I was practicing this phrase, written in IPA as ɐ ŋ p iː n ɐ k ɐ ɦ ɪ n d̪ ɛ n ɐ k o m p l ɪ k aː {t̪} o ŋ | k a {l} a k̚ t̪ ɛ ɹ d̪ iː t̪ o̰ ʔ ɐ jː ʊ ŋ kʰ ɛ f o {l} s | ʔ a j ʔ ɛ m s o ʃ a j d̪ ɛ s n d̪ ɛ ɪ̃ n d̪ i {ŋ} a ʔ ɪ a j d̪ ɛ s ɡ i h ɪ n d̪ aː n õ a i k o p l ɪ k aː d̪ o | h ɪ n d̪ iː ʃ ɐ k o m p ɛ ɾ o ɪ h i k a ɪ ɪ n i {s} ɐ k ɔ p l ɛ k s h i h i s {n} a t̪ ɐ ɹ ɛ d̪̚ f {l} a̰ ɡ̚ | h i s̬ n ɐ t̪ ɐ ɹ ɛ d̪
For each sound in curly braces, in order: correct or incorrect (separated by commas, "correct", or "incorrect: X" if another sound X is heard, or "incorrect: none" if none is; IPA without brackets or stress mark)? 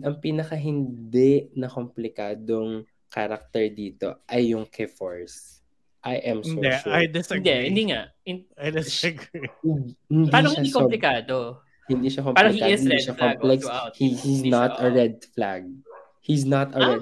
incorrect: d̪, incorrect: ɾ, incorrect: ɹ, correct, incorrect: ʃ, correct, correct